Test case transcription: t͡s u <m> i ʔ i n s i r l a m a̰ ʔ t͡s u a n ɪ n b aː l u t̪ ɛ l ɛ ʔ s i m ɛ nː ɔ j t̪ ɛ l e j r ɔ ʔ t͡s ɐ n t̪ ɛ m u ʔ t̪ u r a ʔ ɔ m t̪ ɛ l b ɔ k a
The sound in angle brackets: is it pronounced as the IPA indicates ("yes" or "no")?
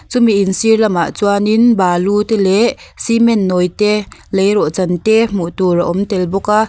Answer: yes